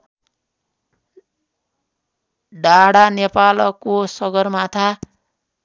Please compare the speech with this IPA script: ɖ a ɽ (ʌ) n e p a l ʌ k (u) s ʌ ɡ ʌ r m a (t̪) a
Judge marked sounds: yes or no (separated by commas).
no, no, no